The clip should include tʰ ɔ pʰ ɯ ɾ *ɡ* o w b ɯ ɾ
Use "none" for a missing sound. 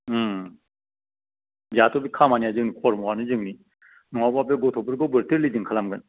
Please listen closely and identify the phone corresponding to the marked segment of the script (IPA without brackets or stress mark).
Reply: ɡ